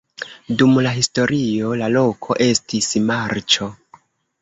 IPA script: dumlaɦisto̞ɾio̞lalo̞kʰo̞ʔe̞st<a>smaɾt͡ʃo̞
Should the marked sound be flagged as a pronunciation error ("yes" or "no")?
yes